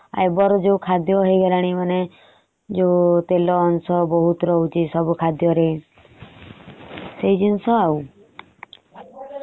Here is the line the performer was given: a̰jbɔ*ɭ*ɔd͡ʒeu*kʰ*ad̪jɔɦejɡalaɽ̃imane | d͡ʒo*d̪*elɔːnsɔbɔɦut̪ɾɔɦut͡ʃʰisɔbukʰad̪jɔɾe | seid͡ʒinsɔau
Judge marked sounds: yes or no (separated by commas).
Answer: no, yes, no